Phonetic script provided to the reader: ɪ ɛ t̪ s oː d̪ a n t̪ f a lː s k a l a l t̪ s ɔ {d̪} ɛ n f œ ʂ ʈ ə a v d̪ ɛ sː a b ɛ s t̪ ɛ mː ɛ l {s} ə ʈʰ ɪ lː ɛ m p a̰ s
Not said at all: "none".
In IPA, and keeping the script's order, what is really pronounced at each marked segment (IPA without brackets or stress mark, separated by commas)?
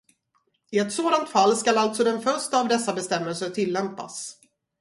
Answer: d̪, s